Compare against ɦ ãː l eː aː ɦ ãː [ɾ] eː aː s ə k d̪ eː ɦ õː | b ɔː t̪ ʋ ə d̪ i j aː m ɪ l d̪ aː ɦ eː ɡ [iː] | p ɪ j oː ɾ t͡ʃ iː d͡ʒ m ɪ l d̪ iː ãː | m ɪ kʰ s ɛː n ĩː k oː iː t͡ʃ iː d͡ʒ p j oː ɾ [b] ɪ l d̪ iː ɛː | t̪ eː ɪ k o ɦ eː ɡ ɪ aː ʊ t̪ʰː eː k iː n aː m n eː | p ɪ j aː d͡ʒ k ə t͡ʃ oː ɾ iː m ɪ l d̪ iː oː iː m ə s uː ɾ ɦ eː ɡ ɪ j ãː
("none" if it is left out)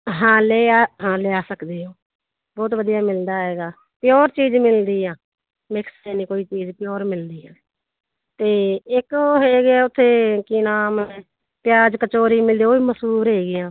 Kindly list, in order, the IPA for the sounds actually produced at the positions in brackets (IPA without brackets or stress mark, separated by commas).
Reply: l, aː, m